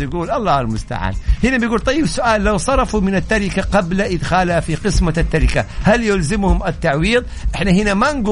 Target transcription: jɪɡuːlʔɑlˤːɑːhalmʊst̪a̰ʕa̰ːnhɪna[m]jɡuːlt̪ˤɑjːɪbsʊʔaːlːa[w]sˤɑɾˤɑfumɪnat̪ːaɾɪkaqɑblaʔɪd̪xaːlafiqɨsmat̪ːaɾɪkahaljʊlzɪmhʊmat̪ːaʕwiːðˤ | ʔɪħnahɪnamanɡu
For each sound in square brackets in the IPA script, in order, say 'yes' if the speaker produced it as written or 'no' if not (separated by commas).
no, yes